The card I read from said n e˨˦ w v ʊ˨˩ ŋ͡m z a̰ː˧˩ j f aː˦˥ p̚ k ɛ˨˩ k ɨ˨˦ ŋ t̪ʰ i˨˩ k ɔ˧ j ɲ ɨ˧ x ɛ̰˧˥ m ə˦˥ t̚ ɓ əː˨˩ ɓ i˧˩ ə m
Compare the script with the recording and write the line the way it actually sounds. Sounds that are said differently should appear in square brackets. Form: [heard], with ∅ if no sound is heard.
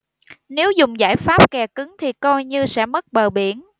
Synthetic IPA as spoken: n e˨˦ w [z] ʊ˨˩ ŋ͡m z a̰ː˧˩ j f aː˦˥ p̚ k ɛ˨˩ k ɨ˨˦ ŋ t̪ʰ i˨˩ k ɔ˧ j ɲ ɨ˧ [s] ɛ̰˧˥ m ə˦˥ t̚ ɓ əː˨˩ ɓ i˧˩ ə [n]